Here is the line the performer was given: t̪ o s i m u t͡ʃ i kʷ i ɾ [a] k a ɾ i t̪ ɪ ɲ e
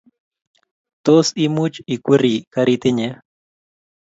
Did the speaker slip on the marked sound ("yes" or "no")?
yes